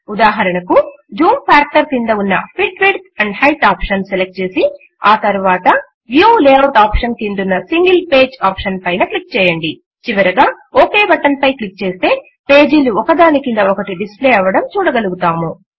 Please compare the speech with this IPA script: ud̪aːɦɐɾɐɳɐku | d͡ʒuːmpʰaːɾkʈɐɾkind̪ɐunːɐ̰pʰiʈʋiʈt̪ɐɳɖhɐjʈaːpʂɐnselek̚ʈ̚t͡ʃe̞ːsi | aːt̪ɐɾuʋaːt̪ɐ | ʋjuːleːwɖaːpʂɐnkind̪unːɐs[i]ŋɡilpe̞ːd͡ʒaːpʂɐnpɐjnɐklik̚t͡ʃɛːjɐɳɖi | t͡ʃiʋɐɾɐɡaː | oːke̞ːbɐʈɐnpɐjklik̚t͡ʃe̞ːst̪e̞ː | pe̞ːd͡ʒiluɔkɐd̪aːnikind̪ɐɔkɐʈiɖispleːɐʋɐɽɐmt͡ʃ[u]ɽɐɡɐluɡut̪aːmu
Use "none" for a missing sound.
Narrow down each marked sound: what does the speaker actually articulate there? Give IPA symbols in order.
i, uː

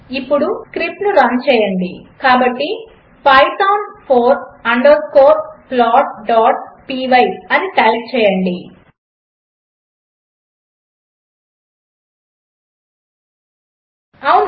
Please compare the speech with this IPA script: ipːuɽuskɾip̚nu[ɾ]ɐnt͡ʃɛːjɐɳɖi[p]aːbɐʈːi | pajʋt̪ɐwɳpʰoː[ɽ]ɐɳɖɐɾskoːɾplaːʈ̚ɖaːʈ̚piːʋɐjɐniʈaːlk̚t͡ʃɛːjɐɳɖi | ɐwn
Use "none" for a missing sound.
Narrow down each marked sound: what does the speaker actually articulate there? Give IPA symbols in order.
ɾ, k, ɾ

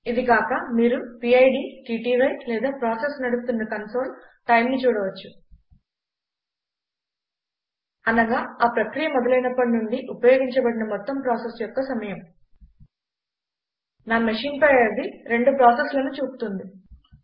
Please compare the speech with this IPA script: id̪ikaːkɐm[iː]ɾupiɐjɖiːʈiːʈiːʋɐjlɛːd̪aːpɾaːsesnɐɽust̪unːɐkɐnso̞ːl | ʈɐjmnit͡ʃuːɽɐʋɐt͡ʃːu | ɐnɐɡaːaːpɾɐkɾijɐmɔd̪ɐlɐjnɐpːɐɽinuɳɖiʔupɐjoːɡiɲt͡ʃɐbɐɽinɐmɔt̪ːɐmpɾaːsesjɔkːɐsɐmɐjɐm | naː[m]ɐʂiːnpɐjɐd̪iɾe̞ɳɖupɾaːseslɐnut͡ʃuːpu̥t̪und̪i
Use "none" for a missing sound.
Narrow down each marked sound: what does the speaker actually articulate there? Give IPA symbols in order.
iː, m

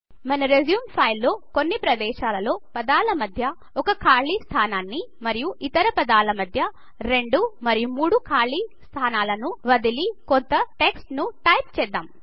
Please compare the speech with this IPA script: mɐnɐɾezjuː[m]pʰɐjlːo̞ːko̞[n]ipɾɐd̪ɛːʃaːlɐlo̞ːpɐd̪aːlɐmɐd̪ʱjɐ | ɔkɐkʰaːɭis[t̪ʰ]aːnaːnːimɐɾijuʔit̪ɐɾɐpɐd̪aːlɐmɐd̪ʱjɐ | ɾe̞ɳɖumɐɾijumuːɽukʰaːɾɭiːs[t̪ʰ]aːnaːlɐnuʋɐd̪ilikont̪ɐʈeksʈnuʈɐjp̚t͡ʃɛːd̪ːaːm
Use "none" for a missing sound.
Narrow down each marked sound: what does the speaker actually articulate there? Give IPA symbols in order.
m, nː, t̪ʰ, t̪ʰ

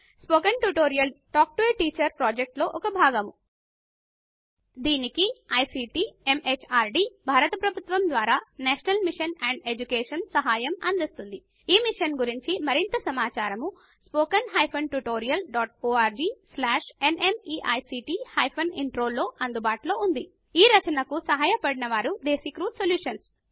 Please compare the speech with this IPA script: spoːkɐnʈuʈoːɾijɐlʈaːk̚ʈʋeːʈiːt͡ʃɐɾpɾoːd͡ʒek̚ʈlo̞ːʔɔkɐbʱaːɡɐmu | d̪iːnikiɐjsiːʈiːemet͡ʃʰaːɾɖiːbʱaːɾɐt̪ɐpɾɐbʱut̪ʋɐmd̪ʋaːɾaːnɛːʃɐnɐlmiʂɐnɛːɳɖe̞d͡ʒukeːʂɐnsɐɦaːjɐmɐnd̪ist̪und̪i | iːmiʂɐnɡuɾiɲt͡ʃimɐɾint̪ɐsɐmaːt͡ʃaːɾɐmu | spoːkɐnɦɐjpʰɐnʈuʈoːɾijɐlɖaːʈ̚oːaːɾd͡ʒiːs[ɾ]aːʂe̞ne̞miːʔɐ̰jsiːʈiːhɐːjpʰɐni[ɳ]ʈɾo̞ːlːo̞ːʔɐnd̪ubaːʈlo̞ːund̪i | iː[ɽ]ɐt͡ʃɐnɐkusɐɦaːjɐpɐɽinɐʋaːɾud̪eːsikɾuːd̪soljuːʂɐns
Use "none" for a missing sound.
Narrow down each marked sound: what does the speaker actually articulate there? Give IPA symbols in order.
l, ɳ, ɾ

